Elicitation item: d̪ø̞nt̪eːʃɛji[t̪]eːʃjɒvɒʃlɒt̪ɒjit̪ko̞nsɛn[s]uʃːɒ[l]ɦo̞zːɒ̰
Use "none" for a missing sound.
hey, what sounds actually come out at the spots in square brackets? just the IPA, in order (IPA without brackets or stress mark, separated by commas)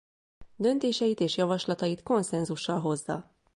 t̪, z, l